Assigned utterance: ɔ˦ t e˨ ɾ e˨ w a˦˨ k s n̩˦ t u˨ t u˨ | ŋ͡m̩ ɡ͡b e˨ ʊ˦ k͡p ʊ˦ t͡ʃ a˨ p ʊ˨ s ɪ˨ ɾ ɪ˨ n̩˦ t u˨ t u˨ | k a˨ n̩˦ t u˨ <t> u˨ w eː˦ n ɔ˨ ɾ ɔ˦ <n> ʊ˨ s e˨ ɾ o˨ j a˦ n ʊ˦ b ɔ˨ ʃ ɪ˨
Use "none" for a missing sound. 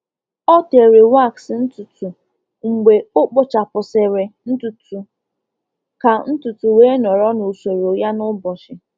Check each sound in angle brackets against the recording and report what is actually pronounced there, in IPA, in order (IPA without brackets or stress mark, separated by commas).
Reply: t, n